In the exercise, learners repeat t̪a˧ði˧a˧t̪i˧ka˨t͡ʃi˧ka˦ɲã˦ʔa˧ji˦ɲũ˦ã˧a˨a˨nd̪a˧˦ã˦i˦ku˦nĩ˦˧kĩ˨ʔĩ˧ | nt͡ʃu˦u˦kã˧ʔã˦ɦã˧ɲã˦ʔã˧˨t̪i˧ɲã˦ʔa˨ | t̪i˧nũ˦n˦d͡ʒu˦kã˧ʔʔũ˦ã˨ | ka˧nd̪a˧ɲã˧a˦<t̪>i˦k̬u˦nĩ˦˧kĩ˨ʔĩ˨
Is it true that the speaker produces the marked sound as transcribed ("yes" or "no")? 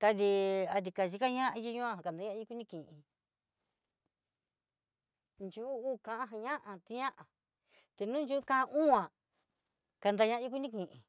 no